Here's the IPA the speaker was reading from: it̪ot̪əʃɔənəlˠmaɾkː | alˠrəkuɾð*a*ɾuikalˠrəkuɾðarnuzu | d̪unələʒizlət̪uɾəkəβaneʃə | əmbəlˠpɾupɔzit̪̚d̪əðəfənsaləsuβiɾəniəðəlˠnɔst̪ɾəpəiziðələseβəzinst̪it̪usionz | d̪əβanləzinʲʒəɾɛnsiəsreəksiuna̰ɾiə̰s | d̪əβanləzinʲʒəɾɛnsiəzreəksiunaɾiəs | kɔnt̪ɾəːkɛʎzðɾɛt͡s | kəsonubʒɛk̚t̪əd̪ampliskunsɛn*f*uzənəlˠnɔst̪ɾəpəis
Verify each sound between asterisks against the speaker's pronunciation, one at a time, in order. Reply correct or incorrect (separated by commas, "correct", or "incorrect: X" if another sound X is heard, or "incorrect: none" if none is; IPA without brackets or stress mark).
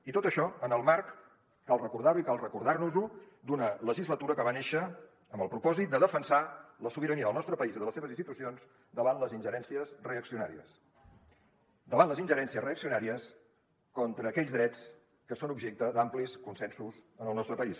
correct, incorrect: s